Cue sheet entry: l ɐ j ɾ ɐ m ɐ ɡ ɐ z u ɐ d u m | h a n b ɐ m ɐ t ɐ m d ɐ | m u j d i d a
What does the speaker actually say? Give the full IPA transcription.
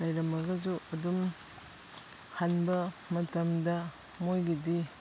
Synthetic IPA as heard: l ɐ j ɾ ɐ m ɐ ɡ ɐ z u ɐ d u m | h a n b ɐ m ɐ t ɐ m d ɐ | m o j ɡ i d i